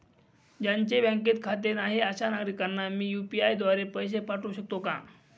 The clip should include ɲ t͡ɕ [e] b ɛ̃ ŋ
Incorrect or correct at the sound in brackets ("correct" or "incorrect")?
correct